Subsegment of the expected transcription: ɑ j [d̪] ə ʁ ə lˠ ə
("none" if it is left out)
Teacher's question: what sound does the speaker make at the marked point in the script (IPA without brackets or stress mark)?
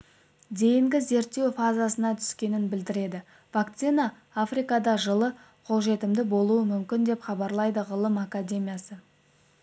d̪